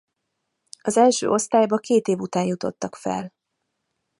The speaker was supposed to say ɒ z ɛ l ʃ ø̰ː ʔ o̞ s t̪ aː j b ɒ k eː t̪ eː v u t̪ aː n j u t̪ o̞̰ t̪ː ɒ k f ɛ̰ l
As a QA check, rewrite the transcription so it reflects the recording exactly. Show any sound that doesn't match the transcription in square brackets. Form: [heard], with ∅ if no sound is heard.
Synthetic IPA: ɒ z ɛ l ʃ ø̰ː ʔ o̞ s t̪ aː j b ɒ k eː t̪ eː v u t̪ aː n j u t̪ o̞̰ t̪ː ɒ k f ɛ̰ l